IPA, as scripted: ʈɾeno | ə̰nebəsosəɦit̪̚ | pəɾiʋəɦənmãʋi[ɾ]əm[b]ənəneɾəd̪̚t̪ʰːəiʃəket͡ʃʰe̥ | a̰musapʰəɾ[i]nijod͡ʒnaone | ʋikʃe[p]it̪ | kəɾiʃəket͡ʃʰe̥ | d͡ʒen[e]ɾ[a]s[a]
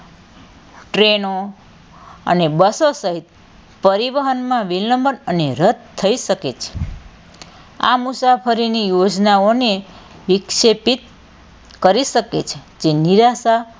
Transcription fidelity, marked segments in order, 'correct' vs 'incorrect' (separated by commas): incorrect, correct, correct, correct, incorrect, correct, correct